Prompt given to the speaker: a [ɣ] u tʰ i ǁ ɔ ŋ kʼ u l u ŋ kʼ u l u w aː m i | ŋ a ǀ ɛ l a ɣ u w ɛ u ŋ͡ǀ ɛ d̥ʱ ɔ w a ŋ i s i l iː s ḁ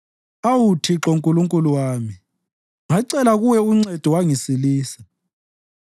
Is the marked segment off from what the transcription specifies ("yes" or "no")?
yes